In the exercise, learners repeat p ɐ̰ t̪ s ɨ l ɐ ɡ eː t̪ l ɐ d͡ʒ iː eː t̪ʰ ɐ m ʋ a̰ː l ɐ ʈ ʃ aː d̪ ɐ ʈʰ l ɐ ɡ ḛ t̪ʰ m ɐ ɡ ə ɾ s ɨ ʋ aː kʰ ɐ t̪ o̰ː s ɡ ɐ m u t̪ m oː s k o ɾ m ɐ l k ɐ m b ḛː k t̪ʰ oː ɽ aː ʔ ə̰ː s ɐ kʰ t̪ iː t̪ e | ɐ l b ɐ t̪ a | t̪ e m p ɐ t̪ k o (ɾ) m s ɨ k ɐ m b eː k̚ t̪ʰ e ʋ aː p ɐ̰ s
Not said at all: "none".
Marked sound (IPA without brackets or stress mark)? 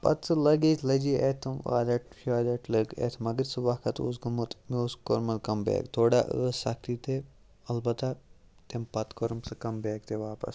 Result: ɾ